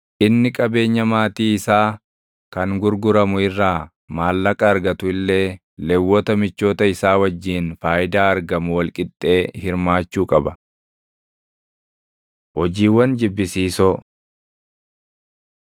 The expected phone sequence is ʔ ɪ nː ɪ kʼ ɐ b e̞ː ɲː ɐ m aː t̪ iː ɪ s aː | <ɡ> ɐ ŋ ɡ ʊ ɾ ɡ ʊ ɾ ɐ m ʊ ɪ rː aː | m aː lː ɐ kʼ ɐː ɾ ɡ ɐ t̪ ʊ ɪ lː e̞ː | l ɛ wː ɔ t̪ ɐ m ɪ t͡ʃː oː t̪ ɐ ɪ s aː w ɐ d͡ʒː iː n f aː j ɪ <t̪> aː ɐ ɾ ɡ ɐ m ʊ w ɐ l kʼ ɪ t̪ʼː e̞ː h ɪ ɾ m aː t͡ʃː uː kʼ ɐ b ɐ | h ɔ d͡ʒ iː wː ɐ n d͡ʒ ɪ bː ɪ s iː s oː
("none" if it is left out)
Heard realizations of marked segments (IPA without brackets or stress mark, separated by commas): k, d̪